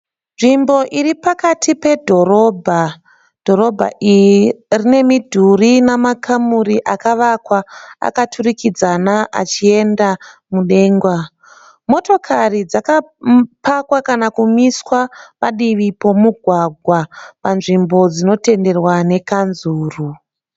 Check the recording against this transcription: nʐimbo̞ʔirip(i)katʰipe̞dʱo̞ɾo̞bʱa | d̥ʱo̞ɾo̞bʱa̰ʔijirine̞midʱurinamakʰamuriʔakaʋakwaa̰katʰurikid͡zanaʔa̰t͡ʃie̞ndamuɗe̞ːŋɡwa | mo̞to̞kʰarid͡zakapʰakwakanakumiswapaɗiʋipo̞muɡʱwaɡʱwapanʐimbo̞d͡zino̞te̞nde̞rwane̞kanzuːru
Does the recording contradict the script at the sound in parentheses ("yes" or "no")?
yes